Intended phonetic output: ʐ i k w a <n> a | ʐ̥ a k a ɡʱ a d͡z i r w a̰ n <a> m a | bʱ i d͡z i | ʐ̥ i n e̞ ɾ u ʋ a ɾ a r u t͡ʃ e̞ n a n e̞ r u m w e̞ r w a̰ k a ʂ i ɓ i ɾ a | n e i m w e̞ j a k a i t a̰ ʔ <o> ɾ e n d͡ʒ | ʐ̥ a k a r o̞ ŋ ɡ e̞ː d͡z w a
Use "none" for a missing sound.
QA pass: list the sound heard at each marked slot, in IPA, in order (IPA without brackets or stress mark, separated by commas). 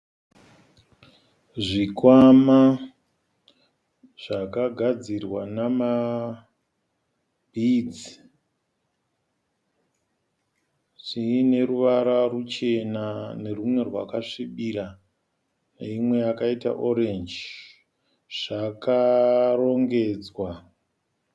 m, a, o